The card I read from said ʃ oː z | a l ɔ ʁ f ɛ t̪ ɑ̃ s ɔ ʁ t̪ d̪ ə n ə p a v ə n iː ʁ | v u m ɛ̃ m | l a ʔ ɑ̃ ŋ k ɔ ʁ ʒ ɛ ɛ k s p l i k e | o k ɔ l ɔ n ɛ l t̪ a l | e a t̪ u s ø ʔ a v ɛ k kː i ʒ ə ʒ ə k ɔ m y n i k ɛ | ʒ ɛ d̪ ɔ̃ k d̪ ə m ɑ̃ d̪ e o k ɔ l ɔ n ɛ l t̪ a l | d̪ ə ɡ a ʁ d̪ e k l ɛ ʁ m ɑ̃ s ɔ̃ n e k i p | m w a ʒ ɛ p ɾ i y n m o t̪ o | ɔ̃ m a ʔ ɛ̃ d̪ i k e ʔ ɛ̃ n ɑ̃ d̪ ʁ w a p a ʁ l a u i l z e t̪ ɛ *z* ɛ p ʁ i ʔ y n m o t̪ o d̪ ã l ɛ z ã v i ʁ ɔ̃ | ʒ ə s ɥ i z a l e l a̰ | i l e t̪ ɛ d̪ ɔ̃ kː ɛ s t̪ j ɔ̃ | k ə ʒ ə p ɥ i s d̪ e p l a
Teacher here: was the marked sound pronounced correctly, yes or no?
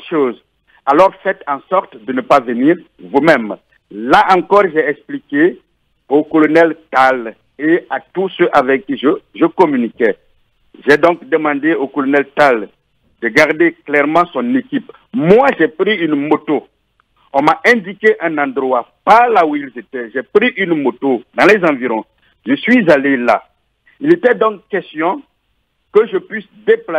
no